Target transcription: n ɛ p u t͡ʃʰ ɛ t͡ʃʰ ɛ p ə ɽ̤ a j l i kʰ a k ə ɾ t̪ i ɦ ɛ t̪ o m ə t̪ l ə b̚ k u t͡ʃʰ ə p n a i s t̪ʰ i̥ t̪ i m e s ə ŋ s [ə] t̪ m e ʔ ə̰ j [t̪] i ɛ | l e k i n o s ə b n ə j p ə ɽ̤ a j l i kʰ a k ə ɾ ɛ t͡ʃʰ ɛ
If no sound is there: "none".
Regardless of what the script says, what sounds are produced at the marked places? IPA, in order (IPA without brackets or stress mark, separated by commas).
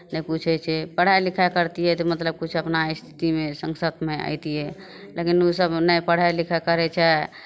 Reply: ə, t̪